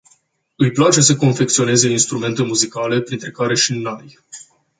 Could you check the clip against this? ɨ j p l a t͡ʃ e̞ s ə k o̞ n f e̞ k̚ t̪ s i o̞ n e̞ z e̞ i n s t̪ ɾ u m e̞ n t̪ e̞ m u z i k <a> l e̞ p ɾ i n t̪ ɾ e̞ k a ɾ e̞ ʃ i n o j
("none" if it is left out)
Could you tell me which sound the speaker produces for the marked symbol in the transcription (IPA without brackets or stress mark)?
a